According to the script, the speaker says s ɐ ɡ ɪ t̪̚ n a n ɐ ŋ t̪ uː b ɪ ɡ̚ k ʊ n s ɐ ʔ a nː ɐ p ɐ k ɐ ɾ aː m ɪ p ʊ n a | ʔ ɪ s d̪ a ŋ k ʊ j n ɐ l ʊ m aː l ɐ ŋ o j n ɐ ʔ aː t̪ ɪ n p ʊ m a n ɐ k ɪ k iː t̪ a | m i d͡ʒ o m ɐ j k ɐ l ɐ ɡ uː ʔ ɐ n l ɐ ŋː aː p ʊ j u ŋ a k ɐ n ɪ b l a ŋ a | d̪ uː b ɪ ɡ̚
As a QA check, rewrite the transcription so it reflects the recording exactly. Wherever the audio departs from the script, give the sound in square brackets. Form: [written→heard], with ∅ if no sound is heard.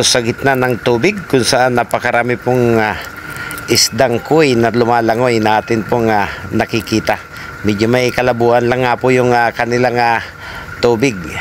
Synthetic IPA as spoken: s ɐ ɡ ɪ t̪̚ n a n ɐ ŋ t̪ uː b ɪ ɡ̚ k ʊ n s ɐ ʔ a nː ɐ p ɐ k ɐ ɾ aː m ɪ p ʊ [n→ŋ] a | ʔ ɪ s d̪ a ŋ k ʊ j n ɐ l ʊ m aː l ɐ ŋ o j n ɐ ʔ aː t̪ ɪ n p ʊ [m→ŋ] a n ɐ k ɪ k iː t̪ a | m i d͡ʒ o m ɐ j k ɐ l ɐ [ɡ→b] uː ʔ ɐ n l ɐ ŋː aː p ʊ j [u→ʊ] ŋ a k ɐ n ɪ [b→∅] l a ŋ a | [d̪→t̪] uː b ɪ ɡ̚